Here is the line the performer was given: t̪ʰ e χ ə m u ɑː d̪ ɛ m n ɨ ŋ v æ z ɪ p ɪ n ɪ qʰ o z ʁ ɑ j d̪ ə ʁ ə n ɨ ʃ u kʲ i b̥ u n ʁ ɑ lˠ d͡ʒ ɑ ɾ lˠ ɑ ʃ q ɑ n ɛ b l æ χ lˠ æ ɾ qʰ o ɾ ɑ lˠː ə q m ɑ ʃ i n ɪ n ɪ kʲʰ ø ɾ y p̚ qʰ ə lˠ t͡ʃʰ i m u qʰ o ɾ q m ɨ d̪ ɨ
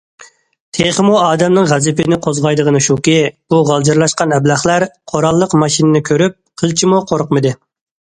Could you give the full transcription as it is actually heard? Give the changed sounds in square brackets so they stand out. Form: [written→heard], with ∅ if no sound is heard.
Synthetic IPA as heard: t̪ʰ e χ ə m u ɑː d̪ ɛ m n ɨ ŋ [v→ʁ] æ z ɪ p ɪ n ɪ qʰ o z ʁ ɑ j d̪ ə ʁ ə n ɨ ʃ u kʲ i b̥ u [n→∅] ʁ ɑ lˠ d͡ʒ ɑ ɾ lˠ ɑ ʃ q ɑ n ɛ b l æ χ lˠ æ ɾ qʰ o ɾ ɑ lˠː ə q m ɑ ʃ i n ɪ n ɪ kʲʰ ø ɾ y p̚ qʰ ə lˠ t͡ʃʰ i m u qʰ o ɾ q m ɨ d̪ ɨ